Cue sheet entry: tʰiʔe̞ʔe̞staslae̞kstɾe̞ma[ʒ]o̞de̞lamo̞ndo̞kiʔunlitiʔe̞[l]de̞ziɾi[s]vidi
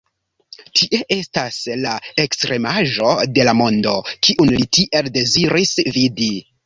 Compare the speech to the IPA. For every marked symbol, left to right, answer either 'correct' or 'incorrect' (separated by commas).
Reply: correct, correct, correct